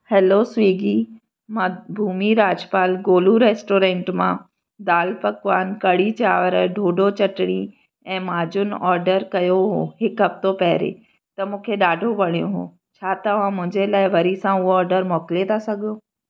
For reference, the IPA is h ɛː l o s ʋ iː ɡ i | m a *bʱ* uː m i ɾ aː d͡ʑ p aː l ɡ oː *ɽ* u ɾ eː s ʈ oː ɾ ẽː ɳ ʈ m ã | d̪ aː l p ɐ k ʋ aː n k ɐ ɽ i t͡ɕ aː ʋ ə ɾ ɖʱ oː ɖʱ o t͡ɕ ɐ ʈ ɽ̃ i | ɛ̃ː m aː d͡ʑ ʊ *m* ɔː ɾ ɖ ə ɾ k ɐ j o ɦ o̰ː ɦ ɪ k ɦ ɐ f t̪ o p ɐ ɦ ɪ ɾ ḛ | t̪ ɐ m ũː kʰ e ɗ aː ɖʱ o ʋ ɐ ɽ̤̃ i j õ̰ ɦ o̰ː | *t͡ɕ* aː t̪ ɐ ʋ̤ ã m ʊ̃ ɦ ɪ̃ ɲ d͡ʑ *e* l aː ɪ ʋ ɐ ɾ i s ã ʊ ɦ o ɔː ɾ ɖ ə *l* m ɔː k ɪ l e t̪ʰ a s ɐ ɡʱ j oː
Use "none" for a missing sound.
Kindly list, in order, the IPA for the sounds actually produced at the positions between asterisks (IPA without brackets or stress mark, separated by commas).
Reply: bʱ, l, n, t͡ɕʰ, e, ɾ